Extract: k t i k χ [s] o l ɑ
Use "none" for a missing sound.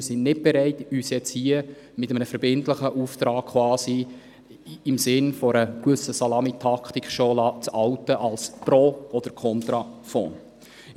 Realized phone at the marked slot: ʃ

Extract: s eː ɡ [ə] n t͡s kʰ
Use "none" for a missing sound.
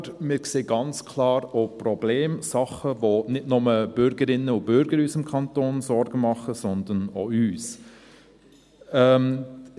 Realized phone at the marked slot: ɑ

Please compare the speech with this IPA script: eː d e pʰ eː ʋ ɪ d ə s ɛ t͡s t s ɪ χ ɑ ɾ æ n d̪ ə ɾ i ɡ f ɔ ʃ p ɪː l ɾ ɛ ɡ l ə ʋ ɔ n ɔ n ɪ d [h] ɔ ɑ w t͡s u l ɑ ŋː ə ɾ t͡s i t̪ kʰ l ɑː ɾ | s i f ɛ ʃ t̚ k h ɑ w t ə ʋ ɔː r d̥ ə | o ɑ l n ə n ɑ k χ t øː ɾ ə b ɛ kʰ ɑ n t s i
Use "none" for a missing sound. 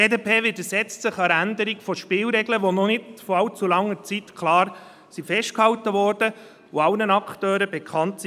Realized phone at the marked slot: f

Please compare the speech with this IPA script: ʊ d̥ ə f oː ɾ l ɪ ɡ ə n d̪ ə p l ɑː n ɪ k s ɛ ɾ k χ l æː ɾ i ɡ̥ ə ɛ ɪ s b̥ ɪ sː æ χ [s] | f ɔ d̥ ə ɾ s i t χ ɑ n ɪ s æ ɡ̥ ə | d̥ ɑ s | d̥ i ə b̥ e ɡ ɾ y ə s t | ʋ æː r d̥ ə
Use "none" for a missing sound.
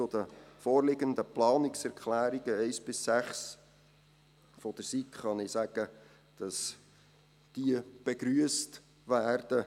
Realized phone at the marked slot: s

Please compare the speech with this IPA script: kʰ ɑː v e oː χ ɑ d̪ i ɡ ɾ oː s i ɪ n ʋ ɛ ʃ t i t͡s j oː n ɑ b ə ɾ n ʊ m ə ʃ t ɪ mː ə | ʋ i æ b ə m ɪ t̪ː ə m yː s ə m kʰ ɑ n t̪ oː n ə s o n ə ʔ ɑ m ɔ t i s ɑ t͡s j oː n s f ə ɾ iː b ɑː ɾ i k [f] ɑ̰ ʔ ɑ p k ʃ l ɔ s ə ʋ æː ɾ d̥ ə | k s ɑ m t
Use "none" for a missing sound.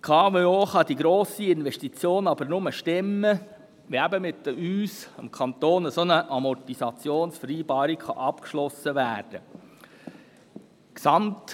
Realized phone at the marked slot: χ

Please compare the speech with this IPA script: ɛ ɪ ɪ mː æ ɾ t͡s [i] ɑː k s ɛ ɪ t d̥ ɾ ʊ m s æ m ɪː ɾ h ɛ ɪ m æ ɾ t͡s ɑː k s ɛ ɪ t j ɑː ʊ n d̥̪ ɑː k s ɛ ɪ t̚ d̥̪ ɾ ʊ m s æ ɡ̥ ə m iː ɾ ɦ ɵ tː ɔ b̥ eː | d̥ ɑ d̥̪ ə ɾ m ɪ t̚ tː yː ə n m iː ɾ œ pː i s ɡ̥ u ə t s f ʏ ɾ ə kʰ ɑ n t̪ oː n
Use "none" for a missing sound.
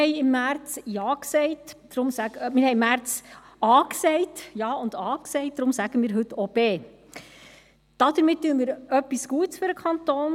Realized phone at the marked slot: j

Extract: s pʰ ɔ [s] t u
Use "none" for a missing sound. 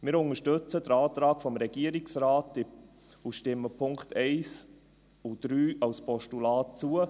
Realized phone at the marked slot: ʃ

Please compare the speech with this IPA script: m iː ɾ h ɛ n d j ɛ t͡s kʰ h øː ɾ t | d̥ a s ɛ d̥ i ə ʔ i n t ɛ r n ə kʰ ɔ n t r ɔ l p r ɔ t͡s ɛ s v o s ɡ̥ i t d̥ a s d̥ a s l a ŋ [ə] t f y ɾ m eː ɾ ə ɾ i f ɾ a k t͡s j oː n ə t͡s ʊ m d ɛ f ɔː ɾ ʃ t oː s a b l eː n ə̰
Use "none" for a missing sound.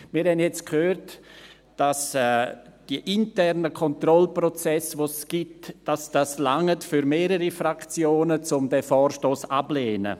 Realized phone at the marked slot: ə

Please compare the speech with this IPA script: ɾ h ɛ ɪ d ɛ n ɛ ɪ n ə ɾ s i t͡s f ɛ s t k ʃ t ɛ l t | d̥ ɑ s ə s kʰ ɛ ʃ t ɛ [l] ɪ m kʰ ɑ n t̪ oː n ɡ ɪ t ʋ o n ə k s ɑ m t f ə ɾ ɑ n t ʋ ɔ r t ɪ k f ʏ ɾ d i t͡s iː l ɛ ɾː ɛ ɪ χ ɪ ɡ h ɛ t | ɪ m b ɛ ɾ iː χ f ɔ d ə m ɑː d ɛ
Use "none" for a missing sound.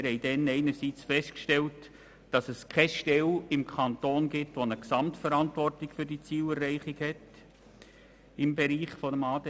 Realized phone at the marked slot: l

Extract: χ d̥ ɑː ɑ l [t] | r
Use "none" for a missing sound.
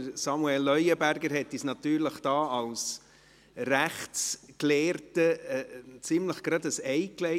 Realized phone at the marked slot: s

